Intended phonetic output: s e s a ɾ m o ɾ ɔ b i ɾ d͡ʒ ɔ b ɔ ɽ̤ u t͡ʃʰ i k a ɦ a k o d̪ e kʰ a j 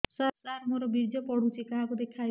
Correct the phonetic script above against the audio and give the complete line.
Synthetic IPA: s a s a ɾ m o ɾ ɔ b i ɾ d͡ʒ ɔ p ɔ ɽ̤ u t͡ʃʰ i k a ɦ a k u d̪ e kʰ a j

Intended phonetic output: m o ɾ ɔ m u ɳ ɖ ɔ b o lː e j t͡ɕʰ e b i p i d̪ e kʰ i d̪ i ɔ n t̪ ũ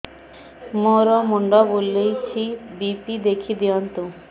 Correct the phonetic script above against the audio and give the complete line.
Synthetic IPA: m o ɾ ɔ m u ɳ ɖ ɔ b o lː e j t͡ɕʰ i b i p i d̪ e kʰ i d̪ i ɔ n t̪ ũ

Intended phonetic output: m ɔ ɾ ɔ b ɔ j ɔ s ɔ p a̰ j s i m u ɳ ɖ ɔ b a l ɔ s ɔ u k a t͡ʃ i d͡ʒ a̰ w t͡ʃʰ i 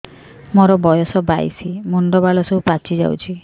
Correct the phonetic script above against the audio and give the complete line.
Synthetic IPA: m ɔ ɾ ɔ b ɔ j ɔ s ɔ b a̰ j s i m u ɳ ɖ ɔ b a l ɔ s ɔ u p a t͡ʃ i d͡ʒ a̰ w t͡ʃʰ i

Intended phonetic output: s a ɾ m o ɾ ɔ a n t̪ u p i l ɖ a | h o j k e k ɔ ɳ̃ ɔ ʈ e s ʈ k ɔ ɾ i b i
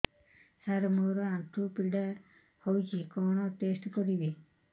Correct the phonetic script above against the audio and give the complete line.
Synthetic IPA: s a ɾ m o ɾ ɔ a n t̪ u p i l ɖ a | h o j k i k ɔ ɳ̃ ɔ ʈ e s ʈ k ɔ ɾ i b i

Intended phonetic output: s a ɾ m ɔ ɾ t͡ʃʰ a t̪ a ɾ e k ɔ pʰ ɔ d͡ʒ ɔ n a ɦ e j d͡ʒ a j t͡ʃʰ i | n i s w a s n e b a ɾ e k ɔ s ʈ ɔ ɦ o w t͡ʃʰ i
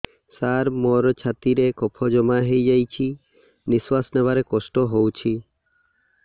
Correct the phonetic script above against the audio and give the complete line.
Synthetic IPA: s a ɾ m ɔ ɾ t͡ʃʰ a t̪ i ɾ e k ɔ pʰ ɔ d͡ʒ ɔ m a ɦ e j d͡ʒ a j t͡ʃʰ i | n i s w a s n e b a ɾ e k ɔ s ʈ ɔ ɦ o w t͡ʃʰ i

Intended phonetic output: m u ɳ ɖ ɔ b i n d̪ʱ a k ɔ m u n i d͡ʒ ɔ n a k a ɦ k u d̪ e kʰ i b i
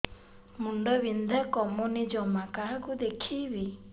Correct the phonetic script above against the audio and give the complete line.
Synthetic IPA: m u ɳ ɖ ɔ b i n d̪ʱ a k ɔ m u n i d͡ʒ ɔ m a k a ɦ k u d̪ e kʰ i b i

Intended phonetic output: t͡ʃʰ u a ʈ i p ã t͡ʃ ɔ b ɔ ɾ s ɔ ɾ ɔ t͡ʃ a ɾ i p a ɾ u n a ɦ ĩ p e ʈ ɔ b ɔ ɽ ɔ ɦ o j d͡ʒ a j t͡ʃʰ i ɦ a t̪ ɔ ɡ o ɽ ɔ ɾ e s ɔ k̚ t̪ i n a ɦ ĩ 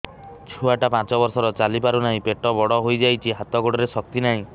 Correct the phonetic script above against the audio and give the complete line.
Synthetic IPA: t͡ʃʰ u a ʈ a p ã t͡ʃ ɔ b ɔ ɾ s ɔ ɾ ɔ t͡ʃ a l i p a ɾ u n a ɦ ĩ p e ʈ ɔ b ɔ ɽ ɔ ɦ o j d͡ʒ a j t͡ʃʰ i ɦ a t̪ ɔ ɡ o ɽ ɔ ɾ e s ɔ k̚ t̪ i n a ɦ ĩ

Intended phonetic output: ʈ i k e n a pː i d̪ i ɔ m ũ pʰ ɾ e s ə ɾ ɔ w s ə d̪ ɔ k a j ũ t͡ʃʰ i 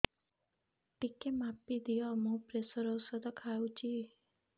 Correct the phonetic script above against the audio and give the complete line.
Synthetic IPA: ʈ i k e m a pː i d̪ i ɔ m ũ p ɾ e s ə ɾ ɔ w s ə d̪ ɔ kʰ a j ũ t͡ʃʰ i

